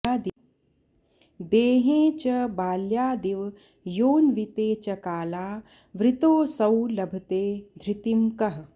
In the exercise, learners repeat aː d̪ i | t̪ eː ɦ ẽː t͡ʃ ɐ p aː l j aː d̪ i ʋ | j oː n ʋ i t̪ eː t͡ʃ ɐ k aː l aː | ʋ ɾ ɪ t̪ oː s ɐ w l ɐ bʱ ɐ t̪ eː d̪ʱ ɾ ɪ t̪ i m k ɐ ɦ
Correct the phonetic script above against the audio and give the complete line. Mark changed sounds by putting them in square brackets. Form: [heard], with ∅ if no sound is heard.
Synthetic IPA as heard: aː d̪ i | [d̪] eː ɦ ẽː t͡ʃ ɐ [b] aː l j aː d̪ i ʋ | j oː n ʋ i t̪ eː t͡ʃ ɐ k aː l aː | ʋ ɾ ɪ t̪ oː s ɐ w l ɐ bʱ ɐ t̪ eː d̪ʱ ɾ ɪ t̪ i m k ɐ ɦ